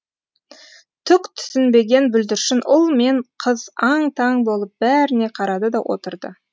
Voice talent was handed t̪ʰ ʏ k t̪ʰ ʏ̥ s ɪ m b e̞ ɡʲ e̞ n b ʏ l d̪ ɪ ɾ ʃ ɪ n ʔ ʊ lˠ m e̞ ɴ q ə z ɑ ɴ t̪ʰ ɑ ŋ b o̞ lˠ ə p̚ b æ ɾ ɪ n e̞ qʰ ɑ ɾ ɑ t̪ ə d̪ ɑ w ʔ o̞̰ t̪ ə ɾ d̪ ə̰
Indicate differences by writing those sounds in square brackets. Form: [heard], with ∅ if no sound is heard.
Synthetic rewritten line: t̪ʰ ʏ k t̪ʰ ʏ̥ s ɪ [n] b e̞ ɡʲ e̞ n b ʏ l d̪ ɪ ɾ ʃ ɪ n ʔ ʊ lˠ m e̞ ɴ [qʰ] ə z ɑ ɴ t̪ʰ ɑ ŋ b o̞ lˠ ə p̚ b æ ɾ ɪ n e̞ qʰ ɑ ɾ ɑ [d̪] ə d̪ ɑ w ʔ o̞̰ t̪ ə ɾ d̪ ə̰